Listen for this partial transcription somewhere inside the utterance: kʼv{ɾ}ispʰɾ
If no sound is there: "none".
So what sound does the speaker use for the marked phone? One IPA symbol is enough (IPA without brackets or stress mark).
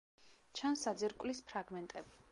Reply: l